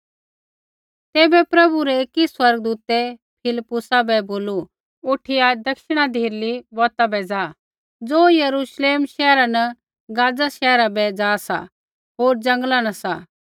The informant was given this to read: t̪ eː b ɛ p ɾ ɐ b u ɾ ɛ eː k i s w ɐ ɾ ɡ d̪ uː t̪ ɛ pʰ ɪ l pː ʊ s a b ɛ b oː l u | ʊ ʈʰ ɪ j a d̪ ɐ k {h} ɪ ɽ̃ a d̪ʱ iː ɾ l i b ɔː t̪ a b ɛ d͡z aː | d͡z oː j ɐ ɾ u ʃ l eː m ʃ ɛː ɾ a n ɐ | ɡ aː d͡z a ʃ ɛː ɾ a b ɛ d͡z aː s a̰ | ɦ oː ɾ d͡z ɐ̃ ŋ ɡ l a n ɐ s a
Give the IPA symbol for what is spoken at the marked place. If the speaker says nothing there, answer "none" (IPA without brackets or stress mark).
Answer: ʃ